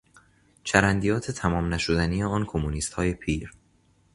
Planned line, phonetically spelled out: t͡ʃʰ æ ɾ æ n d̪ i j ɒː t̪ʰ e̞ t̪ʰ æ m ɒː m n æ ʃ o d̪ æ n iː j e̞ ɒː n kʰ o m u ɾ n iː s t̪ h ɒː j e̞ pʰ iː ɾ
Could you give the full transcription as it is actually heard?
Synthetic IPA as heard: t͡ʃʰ æ ɾ æ n d̪ i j ɒː t̪ʰ e̞ t̪ʰ æ m ɒː m n æ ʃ o d̪ æ n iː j e̞ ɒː n kʰ o m u n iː s t̪ h ɒː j e̞ pʰ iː ɾ